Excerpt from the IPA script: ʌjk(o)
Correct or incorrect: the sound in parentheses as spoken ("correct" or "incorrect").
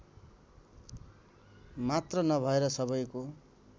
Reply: correct